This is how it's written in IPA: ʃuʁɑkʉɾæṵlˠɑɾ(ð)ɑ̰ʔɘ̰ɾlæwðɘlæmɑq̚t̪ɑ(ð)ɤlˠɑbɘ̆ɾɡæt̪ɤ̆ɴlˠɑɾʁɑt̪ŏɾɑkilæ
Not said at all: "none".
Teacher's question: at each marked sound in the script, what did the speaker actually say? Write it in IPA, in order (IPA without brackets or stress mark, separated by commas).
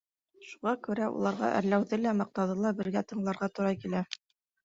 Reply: ʁ, ð